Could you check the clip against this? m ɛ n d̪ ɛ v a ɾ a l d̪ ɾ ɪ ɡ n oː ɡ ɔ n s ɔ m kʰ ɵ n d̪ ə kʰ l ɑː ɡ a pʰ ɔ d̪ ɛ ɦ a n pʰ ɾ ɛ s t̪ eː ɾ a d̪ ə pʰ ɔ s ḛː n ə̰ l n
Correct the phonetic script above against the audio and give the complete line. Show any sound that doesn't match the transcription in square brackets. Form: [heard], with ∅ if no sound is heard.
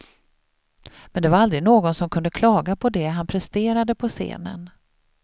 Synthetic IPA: m ɛ n d̪ ɛ v a ɾ a l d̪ ɾ ɪ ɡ n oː ɡ ɔ n s ɔ m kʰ ɵ n d̪ ə kʰ l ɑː ɡ a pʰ ɔ d̪ ɛ ɦ a n pʰ ɾ ɛ s t̪ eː ɾ a d̪ ə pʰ ɔ s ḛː n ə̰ [∅] n